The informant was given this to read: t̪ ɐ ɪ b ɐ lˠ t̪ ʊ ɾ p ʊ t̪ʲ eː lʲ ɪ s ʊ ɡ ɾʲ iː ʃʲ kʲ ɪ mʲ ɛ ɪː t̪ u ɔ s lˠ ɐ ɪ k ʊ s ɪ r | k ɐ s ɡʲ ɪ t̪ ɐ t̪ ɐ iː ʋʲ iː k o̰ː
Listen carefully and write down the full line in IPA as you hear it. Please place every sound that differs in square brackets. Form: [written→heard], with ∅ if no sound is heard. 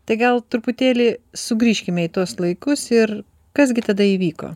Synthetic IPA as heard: t̪ ɐ ɪ [b→ɡ] ɐ lˠ t̪ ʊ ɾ p ʊ t̪ʲ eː lʲ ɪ s ʊ ɡ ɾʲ iː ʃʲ kʲ ɪ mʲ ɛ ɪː t̪ u ɔ s lˠ ɐ ɪ k ʊ s ɪ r | k ɐ s ɡʲ ɪ t̪ ɐ [t̪→d̪] ɐ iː ʋʲ iː k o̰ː

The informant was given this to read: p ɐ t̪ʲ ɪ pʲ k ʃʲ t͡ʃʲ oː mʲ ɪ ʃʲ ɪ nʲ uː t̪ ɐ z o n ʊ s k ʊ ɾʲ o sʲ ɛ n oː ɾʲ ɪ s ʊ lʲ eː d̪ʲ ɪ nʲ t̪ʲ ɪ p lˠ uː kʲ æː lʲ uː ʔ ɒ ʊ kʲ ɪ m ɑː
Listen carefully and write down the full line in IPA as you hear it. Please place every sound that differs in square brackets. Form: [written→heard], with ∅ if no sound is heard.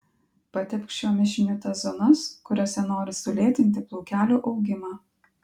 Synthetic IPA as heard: p ɐ t̪ʲ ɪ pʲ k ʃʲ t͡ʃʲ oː mʲ ɪ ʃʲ ɪ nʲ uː t̪ ɐ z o n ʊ s k ʊ ɾʲ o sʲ ɛ n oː ɾʲ ɪ s ʊ lʲ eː [d̪ʲ→t̪ʲ] ɪ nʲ t̪ʲ ɪ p lˠ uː kʲ æː lʲ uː ʔ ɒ ʊ [kʲ→ɡʲ] ɪ m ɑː

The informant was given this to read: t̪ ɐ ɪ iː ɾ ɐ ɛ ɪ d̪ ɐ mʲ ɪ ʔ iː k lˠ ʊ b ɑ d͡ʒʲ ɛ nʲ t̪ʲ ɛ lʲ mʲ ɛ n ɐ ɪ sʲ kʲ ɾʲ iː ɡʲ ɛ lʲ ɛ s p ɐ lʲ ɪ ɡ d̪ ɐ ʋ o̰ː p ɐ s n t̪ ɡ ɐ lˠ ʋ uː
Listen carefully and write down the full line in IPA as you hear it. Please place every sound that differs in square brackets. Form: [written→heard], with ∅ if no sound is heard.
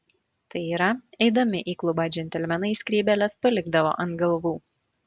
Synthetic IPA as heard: t̪ ɐ ɪ iː ɾ ɐ ɛ ɪ d̪ ɐ mʲ ɪ ʔ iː k lˠ ʊ b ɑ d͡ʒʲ ɛ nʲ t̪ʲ ɛ lʲ mʲ ɛ n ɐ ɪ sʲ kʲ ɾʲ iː [ɡʲ→bʲ] ɛ lʲ ɛ s p ɐ lʲ ɪ ɡ d̪ ɐ ʋ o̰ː [p→ʔ] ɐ [s→∅] n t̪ ɡ ɐ lˠ ʋ uː

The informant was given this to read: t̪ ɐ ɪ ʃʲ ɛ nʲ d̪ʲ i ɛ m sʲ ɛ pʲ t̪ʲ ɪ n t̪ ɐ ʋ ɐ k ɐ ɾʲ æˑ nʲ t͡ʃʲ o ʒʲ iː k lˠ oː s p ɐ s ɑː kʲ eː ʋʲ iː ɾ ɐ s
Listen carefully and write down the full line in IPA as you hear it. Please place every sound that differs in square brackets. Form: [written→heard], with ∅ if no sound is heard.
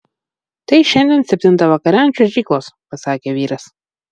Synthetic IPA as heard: t̪ ɐ ɪ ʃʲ ɛ nʲ d̪ʲ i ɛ [m→n] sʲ ɛ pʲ t̪ʲ ɪ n t̪ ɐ ʋ ɐ k ɐ ɾʲ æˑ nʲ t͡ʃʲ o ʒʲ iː k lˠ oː s p ɐ s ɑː kʲ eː ʋʲ iː ɾ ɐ s

